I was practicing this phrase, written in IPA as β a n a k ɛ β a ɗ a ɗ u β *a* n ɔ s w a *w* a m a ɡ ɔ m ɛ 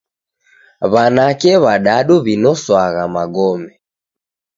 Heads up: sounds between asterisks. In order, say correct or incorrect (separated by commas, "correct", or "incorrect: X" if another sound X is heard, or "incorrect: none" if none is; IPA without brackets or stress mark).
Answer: incorrect: i, incorrect: ɣ